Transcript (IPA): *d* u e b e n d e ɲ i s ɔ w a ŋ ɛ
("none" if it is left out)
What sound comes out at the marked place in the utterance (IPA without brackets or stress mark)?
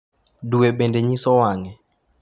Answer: d